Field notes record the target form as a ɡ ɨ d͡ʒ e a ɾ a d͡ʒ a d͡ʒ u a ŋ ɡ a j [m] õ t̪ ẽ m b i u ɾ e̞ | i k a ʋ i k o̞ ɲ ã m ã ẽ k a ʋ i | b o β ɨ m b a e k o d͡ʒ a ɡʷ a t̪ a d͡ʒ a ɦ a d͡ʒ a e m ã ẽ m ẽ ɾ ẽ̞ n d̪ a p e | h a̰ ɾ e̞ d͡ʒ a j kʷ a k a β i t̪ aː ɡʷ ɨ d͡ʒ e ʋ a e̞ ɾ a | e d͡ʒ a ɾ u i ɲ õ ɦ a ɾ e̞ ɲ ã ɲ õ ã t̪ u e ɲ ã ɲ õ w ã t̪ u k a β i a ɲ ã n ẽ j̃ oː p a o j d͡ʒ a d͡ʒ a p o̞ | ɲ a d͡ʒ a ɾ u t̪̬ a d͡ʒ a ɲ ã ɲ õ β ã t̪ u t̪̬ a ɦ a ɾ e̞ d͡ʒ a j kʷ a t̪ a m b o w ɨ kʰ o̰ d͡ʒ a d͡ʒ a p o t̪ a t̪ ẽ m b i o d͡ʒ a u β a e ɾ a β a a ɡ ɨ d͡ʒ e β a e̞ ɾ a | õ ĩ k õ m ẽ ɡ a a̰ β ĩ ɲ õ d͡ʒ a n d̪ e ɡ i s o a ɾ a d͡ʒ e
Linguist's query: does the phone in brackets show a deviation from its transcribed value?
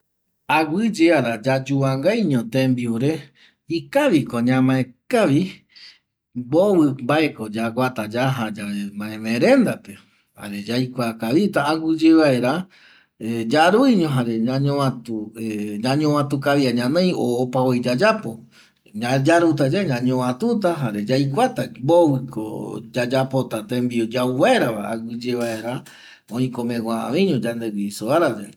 yes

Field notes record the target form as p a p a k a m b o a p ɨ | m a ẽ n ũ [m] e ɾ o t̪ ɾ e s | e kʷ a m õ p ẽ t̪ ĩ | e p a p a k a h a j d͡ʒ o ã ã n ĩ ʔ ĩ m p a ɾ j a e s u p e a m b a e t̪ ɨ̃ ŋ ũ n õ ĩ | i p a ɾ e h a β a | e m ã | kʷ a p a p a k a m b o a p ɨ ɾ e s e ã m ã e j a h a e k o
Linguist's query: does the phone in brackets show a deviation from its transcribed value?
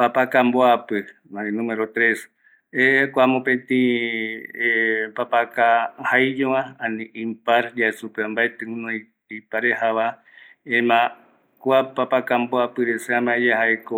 no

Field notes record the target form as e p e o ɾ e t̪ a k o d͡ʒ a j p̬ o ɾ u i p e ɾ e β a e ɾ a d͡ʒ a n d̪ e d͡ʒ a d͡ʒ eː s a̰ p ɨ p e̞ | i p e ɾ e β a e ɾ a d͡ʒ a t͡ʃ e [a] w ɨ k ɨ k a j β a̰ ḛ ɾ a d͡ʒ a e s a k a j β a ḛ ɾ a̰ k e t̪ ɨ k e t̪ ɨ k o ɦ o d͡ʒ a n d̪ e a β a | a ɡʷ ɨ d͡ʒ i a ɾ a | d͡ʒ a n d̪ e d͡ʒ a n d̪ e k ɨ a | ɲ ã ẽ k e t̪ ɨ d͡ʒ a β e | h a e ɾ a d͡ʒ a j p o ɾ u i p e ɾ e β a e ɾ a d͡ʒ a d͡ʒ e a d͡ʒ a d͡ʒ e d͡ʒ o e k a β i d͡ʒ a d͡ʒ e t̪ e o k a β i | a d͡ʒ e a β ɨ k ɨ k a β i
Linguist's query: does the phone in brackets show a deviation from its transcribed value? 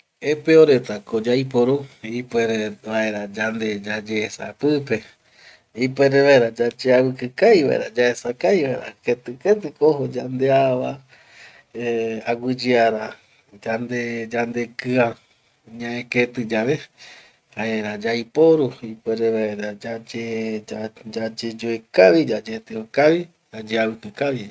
no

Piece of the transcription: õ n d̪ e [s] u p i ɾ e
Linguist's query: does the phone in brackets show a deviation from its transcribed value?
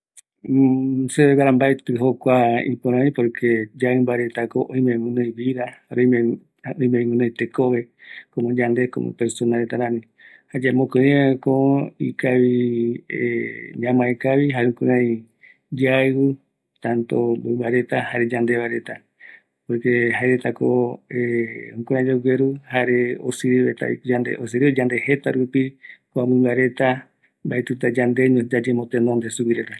no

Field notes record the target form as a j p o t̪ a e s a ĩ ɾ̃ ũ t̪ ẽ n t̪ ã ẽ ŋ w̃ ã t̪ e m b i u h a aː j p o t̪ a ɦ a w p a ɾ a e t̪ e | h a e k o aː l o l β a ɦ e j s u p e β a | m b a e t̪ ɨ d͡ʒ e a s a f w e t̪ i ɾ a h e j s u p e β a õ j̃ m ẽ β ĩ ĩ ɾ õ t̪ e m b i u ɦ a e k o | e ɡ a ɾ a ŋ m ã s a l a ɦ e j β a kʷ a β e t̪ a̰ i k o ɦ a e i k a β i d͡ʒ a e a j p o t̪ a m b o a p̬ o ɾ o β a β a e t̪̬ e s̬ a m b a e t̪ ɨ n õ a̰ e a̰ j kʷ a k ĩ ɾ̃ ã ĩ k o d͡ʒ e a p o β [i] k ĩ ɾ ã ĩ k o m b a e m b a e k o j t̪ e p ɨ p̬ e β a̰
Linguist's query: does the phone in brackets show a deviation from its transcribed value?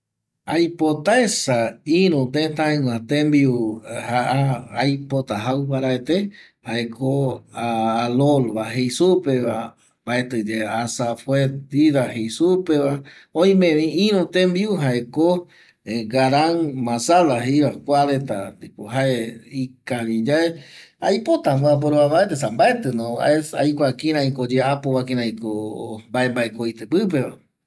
yes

